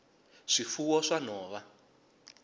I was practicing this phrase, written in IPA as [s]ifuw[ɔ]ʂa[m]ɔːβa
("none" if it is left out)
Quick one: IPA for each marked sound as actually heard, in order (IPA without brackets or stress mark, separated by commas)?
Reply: ʂ, ɔ, n